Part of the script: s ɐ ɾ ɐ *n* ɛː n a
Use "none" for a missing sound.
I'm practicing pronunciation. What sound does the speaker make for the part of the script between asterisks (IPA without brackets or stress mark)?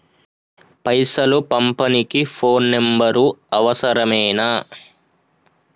m